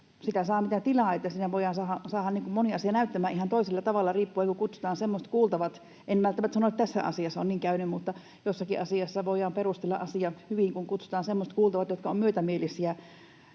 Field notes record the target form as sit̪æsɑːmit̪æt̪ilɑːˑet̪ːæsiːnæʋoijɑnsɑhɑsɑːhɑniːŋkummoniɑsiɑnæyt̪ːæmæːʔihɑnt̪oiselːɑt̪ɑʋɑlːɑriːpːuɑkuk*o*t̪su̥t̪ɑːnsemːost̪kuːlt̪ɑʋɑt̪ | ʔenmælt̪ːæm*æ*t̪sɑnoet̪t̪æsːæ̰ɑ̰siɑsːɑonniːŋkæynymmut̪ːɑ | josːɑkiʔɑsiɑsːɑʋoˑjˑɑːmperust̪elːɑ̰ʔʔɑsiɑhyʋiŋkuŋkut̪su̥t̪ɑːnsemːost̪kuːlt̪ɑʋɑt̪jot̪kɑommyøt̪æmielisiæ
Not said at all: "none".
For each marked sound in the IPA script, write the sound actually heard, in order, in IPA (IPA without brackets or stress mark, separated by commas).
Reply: u, æ